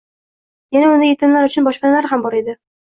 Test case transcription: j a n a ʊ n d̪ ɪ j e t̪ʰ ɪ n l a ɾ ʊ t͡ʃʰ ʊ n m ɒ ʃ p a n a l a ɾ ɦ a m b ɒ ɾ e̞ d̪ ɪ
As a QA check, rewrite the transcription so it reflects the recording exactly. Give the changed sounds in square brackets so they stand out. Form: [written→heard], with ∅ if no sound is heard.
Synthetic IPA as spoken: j a n a ʊ n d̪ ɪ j e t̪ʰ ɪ n l a ɾ ʊ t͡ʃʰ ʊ n [m→b] ɒ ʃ p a n a l a ɾ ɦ a m b ɒ ɾ e̞ d̪ ɪ